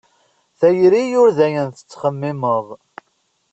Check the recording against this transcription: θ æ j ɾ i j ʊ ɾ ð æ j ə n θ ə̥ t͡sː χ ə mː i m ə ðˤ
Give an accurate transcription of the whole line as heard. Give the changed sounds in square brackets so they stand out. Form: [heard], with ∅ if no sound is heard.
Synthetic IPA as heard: θ æ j ɾ i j ʊ ɾ ð æ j ə n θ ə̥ t͡sː χ ə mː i m ə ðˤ